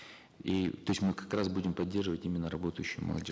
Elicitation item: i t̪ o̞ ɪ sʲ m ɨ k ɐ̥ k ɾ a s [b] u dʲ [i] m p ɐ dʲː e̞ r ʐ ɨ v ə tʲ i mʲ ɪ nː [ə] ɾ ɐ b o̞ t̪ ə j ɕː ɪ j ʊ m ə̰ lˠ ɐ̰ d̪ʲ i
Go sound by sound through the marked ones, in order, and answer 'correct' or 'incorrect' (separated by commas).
correct, incorrect, correct